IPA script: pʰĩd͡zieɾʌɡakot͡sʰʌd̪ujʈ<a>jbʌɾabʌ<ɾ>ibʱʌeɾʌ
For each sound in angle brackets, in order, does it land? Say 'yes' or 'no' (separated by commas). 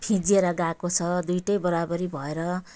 no, yes